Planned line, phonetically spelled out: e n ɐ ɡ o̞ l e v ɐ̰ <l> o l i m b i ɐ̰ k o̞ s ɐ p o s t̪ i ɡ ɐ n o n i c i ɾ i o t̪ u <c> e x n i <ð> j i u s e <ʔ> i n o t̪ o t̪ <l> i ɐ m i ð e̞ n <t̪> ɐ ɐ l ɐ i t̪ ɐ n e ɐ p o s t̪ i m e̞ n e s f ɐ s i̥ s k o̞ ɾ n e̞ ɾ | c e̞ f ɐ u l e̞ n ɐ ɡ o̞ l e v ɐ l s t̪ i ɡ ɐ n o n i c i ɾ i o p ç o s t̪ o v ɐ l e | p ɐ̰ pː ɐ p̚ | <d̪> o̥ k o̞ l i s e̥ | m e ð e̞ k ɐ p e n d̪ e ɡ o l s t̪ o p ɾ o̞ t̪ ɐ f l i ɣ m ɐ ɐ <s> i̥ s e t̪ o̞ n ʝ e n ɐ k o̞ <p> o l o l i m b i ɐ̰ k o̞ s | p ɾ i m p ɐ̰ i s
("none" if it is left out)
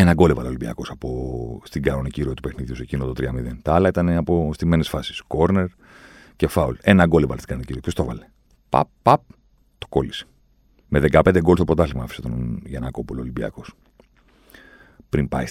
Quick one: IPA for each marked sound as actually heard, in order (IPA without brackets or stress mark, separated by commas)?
l, p, ð, c, ɾ, t̪, t̪, f, p